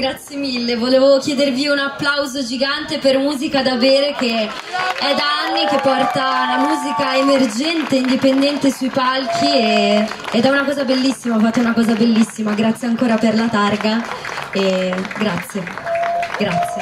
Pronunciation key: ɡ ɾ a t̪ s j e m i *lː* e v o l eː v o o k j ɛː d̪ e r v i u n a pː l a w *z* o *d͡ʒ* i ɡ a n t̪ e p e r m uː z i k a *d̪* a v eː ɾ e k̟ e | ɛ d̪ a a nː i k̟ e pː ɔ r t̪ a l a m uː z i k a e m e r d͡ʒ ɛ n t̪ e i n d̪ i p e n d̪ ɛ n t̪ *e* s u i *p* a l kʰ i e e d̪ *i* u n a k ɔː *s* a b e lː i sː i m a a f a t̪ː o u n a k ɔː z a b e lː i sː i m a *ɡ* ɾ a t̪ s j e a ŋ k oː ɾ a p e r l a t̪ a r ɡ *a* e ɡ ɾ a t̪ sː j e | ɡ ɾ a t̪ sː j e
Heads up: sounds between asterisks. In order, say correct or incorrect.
correct, correct, correct, correct, correct, correct, incorrect, incorrect, correct, correct

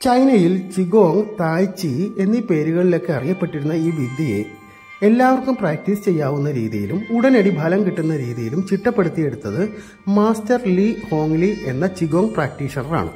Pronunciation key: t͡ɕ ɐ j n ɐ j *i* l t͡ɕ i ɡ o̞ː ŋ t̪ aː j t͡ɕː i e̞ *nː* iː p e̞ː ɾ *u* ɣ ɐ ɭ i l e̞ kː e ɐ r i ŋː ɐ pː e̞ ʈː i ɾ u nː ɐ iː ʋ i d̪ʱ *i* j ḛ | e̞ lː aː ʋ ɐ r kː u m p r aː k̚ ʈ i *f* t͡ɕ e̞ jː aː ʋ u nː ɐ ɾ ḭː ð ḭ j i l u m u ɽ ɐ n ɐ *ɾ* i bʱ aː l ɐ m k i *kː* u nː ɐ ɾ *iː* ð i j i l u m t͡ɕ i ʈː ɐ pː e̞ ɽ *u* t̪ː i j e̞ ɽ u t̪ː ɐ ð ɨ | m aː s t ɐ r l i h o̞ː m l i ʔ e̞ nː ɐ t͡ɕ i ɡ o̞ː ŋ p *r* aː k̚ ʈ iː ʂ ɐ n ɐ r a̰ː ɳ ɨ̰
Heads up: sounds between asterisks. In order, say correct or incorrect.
correct, correct, correct, correct, incorrect, incorrect, incorrect, correct, correct, correct

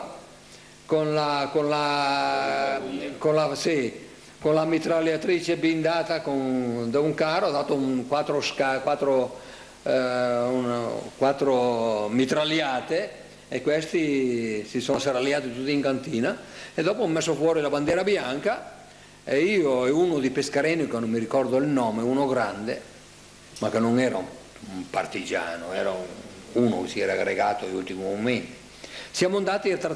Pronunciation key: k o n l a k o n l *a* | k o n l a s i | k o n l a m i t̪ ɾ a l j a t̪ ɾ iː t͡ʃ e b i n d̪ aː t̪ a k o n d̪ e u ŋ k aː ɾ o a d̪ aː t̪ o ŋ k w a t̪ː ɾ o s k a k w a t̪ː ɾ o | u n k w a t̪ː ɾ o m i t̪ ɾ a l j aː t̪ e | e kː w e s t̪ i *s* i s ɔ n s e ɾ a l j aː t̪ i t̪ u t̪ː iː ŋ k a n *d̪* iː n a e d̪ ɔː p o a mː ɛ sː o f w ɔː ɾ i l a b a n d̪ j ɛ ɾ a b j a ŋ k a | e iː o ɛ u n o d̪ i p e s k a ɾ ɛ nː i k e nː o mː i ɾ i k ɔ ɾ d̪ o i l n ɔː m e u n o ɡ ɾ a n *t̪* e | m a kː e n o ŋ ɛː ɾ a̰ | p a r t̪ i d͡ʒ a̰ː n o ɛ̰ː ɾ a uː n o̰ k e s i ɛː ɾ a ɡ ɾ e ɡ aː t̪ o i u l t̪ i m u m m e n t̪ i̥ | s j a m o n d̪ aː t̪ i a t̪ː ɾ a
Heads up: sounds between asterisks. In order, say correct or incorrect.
correct, correct, incorrect, incorrect

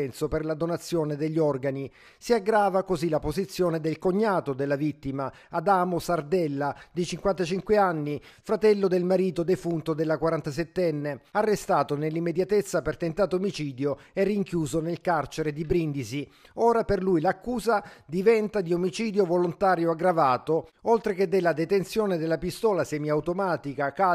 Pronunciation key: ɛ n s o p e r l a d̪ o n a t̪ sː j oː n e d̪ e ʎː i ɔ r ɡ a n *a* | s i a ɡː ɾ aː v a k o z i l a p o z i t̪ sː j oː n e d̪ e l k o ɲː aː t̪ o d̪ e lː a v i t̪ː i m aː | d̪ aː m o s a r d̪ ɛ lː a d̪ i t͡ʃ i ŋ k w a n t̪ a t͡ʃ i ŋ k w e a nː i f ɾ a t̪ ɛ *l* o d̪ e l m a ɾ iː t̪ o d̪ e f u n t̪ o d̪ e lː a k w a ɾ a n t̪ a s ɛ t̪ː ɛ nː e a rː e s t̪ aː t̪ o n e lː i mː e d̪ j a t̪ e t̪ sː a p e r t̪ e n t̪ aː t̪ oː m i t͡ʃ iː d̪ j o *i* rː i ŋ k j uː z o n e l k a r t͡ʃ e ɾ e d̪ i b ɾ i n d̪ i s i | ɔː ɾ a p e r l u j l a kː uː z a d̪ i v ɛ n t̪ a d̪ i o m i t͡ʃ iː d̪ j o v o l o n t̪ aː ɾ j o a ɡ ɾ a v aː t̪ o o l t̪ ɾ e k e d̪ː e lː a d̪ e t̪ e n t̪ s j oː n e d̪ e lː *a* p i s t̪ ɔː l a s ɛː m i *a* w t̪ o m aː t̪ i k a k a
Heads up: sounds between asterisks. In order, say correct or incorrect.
incorrect, incorrect, incorrect, correct, correct

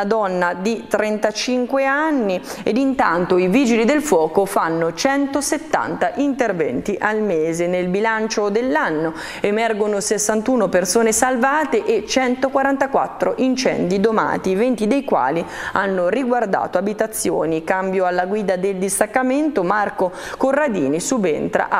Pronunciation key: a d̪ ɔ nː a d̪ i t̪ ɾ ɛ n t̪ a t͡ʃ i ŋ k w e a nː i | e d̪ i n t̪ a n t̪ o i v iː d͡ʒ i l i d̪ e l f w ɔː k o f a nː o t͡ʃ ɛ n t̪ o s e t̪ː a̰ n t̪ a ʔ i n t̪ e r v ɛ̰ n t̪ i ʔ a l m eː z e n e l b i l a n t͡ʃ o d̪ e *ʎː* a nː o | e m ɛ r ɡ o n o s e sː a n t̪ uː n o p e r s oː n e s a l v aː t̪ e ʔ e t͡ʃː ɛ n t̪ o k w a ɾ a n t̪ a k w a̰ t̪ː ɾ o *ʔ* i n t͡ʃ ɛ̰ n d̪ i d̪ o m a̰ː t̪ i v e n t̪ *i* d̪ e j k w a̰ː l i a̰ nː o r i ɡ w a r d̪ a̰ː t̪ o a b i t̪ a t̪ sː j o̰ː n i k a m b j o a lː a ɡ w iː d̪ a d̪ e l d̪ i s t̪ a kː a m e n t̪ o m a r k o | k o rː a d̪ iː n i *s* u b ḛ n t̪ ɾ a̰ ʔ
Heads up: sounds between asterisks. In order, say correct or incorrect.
incorrect, correct, correct, correct

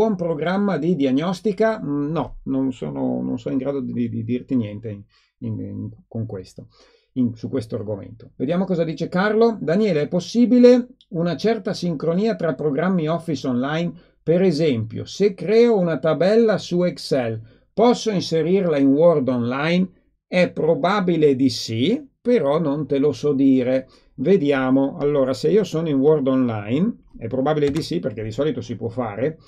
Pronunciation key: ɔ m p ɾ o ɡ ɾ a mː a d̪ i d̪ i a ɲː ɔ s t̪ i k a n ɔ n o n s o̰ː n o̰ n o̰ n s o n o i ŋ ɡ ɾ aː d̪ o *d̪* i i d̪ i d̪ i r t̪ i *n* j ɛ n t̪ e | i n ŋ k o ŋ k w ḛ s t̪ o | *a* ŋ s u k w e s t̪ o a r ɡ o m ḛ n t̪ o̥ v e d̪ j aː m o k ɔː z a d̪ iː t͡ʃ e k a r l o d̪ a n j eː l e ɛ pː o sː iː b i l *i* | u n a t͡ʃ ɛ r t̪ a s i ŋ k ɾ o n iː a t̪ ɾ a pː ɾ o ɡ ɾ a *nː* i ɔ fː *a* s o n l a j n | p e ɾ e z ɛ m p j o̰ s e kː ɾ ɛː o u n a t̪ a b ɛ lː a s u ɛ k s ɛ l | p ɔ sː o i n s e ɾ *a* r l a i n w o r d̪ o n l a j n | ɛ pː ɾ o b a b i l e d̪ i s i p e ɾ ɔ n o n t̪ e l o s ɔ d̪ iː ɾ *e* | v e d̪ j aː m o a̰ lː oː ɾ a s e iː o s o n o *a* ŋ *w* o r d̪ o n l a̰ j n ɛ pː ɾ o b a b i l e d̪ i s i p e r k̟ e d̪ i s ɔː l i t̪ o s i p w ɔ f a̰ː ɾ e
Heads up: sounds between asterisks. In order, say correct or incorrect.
correct, correct, incorrect, incorrect, incorrect, incorrect, incorrect, correct, incorrect, correct

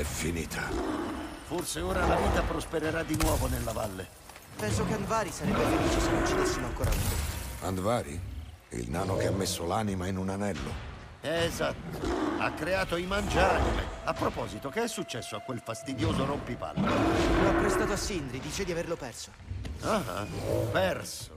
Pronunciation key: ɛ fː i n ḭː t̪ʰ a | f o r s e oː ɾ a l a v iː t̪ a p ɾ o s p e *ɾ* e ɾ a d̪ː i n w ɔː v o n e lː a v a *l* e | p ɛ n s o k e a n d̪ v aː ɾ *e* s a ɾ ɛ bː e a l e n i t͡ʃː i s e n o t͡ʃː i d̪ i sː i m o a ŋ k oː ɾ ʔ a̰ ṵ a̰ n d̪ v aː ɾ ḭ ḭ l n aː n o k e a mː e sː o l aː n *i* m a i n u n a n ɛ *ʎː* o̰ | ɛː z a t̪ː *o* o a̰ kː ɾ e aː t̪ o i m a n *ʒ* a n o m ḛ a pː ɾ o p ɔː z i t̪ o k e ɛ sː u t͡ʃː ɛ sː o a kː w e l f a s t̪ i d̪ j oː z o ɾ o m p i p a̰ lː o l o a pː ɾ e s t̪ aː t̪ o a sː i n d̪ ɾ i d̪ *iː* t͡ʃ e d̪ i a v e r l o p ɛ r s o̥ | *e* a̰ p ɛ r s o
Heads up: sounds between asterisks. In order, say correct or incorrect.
correct, incorrect, incorrect, correct, incorrect, correct, incorrect, correct, incorrect

